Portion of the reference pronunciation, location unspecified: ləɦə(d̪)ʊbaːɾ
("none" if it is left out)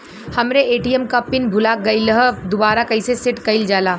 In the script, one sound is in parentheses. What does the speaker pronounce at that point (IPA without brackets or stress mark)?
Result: d̪